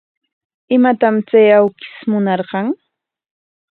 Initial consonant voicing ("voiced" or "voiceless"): voiced